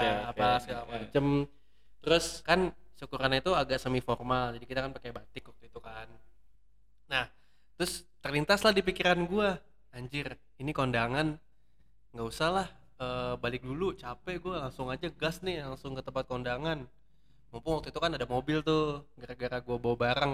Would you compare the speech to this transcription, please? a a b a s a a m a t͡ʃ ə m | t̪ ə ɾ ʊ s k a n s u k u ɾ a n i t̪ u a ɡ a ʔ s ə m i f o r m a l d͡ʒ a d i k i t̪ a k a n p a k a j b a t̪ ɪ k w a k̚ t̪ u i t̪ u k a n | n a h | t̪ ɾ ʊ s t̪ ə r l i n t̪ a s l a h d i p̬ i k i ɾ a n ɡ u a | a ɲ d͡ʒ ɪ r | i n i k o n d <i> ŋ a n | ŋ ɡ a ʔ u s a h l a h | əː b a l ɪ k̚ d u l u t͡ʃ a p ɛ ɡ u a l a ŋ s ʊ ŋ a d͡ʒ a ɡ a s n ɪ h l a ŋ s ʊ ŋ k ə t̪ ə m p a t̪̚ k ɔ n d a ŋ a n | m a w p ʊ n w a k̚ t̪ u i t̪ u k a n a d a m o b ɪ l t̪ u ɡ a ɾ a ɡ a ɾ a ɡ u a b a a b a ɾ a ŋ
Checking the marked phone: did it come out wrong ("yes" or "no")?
yes